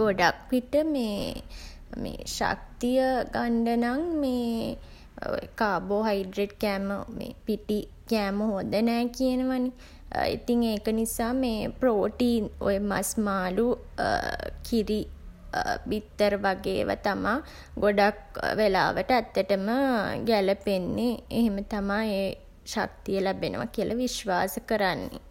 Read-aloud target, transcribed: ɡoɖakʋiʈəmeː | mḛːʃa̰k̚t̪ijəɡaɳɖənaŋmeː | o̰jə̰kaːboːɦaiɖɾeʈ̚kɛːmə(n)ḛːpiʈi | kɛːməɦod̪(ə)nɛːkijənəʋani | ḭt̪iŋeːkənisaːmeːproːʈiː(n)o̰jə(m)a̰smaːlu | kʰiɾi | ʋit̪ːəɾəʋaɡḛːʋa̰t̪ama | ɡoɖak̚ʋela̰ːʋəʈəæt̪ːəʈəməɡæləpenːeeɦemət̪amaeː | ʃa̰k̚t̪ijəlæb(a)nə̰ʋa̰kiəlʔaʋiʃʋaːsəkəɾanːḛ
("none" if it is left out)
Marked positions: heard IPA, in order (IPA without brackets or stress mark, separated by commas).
m, ə, n, m, e